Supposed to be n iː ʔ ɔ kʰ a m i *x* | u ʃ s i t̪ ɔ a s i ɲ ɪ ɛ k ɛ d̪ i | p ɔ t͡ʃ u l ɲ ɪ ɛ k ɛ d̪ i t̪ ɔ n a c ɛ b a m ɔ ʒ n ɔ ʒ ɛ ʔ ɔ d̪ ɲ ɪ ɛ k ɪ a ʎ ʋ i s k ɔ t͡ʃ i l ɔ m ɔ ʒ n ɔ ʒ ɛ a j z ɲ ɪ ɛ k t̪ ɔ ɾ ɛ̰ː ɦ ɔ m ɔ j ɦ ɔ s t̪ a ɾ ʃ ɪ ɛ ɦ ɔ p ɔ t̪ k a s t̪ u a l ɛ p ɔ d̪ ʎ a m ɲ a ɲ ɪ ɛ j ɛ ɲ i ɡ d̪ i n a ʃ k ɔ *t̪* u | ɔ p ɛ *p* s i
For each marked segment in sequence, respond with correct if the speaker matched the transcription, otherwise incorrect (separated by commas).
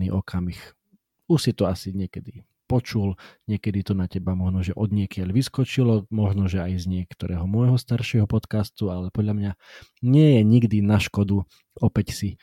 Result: correct, incorrect, incorrect